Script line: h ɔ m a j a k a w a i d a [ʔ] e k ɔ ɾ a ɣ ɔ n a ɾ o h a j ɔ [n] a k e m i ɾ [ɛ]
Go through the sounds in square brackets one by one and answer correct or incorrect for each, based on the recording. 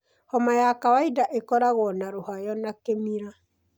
correct, correct, incorrect

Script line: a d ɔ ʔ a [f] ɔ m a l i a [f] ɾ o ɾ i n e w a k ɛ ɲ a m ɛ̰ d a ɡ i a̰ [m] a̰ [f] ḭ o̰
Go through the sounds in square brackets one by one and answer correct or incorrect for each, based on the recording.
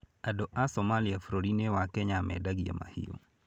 incorrect, correct, correct, incorrect

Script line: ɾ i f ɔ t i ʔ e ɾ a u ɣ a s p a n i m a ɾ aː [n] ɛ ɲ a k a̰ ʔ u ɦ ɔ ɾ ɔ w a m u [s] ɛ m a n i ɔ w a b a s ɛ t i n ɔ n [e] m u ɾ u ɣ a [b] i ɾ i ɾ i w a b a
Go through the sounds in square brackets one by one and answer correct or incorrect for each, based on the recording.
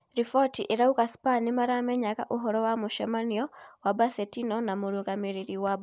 incorrect, incorrect, incorrect, incorrect

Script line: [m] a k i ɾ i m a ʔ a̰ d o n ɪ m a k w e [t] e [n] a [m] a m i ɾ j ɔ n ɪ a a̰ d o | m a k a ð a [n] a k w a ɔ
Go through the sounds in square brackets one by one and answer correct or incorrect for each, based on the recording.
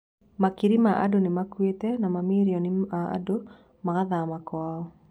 correct, correct, correct, correct, incorrect

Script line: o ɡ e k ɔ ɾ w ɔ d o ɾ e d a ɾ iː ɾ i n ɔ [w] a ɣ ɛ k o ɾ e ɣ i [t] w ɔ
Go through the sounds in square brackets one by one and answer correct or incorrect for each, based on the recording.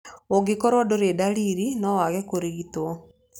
correct, correct

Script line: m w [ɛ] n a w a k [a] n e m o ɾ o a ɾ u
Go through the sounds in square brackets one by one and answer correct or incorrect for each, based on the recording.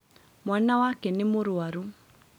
incorrect, incorrect

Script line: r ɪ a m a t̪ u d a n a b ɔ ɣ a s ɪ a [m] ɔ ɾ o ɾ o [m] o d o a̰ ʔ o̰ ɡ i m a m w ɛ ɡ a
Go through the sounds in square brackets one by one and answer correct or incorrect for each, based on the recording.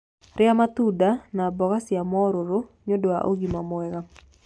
correct, incorrect

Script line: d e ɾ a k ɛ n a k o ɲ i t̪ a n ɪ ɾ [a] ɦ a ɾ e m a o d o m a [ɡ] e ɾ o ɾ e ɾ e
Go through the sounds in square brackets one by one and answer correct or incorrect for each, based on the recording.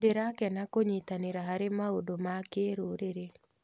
correct, incorrect

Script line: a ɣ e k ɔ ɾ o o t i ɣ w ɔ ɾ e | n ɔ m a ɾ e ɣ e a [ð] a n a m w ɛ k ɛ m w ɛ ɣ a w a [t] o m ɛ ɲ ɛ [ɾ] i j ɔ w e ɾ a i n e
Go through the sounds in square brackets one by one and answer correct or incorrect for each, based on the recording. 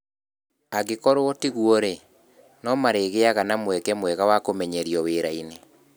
incorrect, incorrect, correct

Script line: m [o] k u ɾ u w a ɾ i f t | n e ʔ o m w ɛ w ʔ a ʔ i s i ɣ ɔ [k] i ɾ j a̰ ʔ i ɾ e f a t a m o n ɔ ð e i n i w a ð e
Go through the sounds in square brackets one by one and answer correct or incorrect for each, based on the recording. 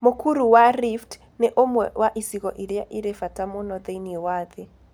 correct, incorrect

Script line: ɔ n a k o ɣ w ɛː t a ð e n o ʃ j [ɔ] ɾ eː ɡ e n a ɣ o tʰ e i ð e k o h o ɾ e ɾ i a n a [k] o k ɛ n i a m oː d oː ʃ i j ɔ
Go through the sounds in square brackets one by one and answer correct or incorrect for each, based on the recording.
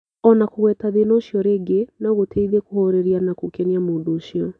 correct, correct

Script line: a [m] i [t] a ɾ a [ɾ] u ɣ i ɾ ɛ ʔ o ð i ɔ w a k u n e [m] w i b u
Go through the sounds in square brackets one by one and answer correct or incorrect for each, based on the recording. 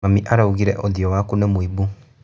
correct, incorrect, incorrect, correct

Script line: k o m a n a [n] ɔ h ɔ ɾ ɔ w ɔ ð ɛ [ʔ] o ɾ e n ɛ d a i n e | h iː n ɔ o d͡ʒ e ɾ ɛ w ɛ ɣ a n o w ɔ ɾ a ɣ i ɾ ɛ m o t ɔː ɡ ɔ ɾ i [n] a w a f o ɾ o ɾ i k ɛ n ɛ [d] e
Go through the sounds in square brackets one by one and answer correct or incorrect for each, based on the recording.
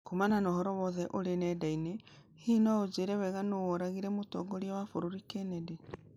correct, correct, incorrect, correct

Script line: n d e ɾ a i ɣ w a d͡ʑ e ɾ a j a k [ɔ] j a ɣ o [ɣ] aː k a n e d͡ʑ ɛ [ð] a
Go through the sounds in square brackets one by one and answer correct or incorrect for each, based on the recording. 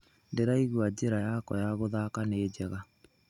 correct, incorrect, incorrect

